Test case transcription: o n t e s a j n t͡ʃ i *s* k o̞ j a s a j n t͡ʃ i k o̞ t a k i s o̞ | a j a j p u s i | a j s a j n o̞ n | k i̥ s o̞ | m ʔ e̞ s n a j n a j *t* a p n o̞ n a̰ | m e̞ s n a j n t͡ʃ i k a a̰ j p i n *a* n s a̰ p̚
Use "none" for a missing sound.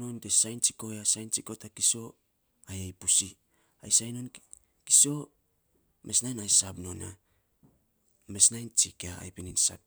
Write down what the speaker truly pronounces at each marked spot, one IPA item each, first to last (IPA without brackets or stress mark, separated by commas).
none, s, i